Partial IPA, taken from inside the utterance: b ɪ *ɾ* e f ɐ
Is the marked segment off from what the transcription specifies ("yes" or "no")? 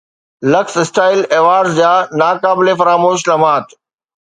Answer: yes